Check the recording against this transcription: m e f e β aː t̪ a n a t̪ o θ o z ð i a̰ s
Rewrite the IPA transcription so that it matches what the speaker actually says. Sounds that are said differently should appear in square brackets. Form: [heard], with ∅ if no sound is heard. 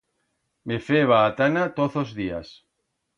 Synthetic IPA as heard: m e f e β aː t̪ a n a t̪ o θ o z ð i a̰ s